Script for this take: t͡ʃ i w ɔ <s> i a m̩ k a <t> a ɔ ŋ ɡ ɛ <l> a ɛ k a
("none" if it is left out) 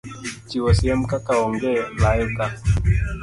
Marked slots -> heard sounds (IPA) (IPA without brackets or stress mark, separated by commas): s, k, l